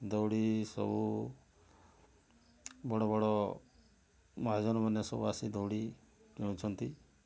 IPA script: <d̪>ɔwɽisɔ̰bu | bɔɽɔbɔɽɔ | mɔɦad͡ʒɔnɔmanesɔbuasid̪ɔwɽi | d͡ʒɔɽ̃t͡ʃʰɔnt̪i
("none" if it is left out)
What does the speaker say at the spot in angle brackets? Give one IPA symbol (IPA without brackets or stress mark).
d̪